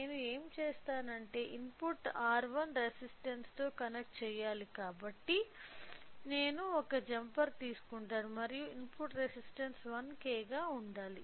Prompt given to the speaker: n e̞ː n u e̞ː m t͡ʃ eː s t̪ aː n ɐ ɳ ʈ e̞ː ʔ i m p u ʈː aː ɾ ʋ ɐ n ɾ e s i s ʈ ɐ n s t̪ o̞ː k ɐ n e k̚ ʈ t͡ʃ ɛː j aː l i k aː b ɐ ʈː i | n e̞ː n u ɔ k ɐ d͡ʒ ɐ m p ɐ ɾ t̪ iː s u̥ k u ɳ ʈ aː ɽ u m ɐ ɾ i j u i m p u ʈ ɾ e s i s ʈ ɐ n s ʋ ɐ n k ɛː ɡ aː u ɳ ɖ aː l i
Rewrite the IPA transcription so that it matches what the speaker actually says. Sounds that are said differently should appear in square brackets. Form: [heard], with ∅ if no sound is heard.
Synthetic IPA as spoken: n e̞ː n u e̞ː m t͡ʃ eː s t̪ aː n ɐ ɳ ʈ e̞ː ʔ i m p u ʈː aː ɾ ʋ ɐ n ɾ e s i s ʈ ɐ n s t̪ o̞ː k ɐ n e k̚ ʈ t͡ʃ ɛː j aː l i k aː b ɐ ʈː i | n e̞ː n u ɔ k ɐ d͡ʒ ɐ m p ɐ ɾ t̪ iː s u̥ k u ɳ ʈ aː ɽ u m ɐ ɾ i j u i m p u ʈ ɾ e s i s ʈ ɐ n s ʋ ɐ n k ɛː ɡ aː u ɳ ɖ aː l i